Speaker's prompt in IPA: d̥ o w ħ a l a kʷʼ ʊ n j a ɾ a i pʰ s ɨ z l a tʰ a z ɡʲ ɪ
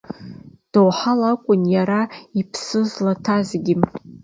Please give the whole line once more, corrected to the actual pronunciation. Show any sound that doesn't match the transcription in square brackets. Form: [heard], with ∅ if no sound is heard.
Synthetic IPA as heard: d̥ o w ħ a l a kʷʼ ʊ n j a ɾ a i pʰ s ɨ z l a tʰ a z ɡʲ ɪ